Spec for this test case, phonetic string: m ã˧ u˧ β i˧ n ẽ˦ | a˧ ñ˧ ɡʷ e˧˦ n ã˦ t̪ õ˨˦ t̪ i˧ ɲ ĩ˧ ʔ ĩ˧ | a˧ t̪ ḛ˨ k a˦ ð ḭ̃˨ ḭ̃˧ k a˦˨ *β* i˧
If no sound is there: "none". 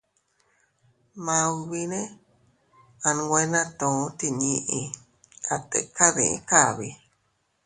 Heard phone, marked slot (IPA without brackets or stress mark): β